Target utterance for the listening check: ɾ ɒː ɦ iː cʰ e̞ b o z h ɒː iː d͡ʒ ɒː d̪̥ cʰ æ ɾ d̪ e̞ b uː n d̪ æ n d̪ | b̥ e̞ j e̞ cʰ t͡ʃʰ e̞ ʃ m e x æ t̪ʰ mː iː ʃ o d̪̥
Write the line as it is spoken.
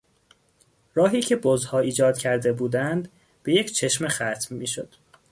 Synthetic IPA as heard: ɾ ɒː ɦ iː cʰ e̞ b o z h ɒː iː d͡ʒ ɒː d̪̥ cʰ æ ɾ d̪ e̞ b uː d̪ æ n d̪ | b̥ e̞ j e̞ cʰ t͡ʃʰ e̞ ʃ m e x æ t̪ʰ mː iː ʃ o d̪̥